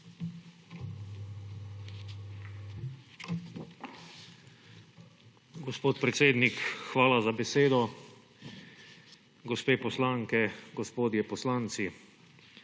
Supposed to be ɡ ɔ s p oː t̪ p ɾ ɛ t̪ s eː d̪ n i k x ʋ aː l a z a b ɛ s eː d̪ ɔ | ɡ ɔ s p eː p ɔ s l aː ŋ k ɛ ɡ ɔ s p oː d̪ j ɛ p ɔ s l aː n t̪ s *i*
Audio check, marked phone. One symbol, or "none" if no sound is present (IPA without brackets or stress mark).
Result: i